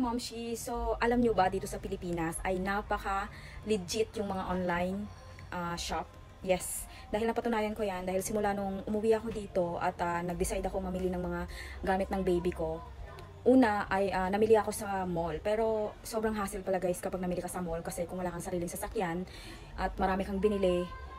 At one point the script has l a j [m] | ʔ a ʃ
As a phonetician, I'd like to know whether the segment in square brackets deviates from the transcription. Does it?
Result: yes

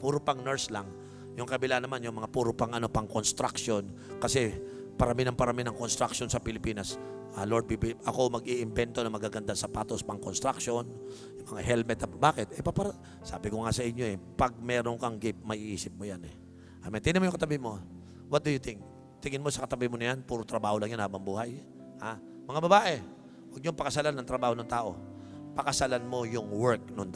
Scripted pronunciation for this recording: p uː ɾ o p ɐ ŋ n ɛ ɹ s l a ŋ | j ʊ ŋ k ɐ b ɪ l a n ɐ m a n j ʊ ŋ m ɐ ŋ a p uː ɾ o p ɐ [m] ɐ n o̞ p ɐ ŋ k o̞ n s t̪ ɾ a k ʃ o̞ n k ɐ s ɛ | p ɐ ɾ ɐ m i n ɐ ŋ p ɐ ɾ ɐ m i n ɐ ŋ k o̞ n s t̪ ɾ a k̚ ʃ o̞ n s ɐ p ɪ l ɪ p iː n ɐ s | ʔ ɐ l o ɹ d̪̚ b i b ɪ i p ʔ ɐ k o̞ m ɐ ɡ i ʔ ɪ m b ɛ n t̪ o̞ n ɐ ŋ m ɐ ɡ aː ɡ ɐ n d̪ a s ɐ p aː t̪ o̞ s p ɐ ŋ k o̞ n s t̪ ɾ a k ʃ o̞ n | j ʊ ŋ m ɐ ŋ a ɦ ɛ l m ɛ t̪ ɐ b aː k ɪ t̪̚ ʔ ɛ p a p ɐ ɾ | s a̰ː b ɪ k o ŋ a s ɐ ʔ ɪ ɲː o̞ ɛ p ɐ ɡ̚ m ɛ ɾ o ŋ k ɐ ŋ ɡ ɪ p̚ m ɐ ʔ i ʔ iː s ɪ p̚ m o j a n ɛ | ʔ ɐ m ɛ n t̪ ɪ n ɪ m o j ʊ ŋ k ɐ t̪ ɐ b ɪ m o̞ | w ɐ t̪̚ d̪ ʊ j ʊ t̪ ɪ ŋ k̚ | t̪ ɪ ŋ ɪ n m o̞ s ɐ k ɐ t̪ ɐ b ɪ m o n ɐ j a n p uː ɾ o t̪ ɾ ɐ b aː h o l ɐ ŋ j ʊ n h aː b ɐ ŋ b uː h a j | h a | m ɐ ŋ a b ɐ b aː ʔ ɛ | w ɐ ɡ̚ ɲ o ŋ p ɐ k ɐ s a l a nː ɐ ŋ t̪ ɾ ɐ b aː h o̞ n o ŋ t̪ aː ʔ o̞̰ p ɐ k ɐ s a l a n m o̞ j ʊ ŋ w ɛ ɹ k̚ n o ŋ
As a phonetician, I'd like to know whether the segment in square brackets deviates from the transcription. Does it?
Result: yes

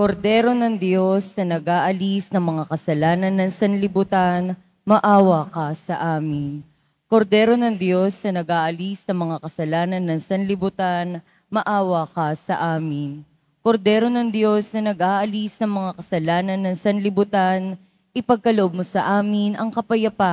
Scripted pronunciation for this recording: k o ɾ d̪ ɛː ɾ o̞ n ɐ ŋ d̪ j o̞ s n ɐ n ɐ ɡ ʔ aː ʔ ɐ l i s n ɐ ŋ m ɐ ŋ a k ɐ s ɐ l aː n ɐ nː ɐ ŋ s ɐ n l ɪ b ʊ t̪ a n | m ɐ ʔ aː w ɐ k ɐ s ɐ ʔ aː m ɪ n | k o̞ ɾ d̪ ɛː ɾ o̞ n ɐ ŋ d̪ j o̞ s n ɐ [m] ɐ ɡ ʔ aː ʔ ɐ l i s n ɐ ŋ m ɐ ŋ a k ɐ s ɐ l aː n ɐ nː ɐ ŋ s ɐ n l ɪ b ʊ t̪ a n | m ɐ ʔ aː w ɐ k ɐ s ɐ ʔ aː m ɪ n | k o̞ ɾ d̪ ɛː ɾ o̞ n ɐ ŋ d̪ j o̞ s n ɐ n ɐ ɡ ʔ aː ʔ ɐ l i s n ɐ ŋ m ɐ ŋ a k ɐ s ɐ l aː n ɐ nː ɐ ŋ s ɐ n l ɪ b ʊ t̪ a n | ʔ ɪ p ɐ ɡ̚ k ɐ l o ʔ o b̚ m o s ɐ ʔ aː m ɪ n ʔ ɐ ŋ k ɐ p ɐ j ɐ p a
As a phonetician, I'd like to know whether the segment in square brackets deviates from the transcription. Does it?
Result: yes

